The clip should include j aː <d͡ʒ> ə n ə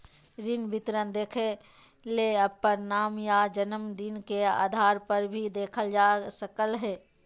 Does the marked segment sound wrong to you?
no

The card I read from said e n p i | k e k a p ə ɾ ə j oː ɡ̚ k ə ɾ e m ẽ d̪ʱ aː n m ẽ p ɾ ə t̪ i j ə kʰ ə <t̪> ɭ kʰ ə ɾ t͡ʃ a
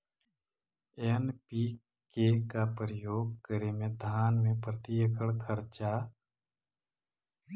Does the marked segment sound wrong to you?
yes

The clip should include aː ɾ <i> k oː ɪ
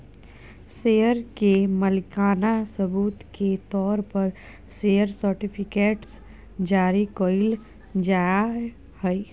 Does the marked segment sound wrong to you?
no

